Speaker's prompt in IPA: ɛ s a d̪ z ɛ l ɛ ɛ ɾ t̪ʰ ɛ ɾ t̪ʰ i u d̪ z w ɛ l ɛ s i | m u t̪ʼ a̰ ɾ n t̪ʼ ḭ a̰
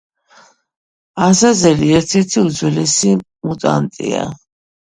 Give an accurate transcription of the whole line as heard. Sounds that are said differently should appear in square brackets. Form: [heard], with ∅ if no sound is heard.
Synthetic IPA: [a] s a [∅] z ɛ l [i] ɛ ɾ t̪ʰ ɛ ɾ t̪ʰ i u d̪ z w ɛ l ɛ s i | m u t̪ʼ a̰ [∅] n t̪ʼ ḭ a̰